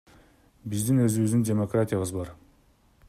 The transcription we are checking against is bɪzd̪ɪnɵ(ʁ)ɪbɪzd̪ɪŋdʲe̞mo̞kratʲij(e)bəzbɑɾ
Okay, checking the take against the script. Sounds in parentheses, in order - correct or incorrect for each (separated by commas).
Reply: incorrect, incorrect